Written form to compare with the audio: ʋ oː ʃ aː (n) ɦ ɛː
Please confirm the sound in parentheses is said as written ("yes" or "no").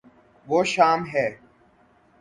no